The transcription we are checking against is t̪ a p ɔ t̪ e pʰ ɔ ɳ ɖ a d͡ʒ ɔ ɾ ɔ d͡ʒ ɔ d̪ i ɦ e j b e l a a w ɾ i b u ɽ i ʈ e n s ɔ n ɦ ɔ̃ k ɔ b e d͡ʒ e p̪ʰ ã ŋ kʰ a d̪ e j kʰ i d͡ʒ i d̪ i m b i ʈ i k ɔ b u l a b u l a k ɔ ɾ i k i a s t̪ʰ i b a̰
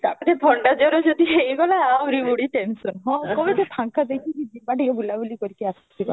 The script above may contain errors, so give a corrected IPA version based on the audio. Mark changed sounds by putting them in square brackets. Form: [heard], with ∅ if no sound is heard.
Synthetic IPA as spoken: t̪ a p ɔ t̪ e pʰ ɔ ɳ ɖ a d͡ʒ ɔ ɾ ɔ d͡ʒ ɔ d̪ i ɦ e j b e l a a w ɾ i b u ɽ i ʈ e n s ɔ n ɦ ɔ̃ k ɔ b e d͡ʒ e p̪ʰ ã ŋ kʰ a d̪ e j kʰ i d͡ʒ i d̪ i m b [a] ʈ i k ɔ b u l a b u l [i] k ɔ ɾ i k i a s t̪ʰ i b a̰